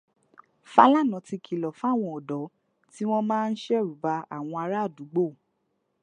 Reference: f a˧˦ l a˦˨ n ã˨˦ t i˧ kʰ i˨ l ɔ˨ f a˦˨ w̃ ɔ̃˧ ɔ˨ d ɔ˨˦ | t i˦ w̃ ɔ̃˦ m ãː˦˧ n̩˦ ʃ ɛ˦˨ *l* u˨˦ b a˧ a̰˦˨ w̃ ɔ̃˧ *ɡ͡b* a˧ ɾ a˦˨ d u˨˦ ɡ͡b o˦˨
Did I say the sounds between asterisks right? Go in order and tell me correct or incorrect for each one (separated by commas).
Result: incorrect, incorrect